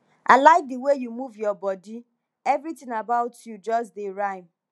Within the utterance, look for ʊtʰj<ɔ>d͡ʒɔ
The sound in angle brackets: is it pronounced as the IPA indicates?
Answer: no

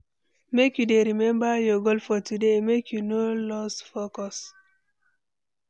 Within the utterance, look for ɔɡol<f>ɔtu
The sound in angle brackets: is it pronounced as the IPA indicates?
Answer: yes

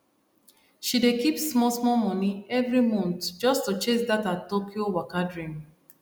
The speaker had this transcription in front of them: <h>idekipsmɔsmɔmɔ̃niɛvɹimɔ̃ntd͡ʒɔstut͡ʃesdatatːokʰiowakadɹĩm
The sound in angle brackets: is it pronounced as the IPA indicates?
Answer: no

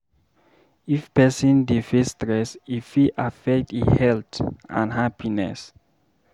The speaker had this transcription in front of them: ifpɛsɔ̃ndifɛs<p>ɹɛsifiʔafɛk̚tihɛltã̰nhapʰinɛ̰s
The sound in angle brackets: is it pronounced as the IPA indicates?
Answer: no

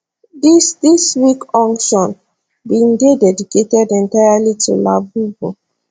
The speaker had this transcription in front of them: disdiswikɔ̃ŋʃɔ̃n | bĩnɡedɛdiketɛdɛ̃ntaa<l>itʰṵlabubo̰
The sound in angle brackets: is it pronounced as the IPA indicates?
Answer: yes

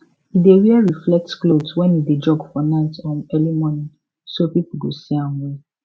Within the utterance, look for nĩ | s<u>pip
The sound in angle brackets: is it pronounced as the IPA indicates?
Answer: no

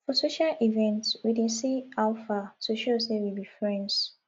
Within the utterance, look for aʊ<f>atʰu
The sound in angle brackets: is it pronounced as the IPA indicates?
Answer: yes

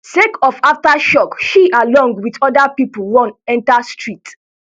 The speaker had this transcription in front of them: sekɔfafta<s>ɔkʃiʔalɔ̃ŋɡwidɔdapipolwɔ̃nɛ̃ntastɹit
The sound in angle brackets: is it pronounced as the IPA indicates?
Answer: no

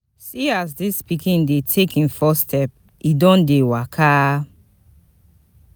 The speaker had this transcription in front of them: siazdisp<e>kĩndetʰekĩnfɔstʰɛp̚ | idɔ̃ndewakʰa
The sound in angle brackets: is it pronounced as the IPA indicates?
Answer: no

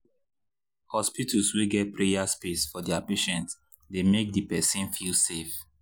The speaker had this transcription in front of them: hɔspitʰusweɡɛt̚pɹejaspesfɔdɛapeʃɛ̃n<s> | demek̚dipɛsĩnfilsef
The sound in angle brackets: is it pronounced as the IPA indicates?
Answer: no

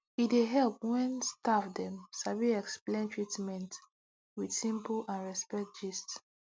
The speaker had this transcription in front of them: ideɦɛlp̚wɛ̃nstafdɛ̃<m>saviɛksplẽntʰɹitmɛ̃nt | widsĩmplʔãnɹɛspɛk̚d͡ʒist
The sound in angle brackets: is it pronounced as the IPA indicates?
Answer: yes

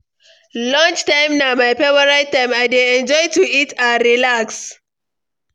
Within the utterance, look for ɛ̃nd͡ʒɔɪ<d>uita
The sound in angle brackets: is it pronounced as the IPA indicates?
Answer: no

